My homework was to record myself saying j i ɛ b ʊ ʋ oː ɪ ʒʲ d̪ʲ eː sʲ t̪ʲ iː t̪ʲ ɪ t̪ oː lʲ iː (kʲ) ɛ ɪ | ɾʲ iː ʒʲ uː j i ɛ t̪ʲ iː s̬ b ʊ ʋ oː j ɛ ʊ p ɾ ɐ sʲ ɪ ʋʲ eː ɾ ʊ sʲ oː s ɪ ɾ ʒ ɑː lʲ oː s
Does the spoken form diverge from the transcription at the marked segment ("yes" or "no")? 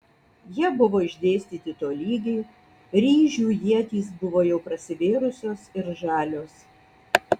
yes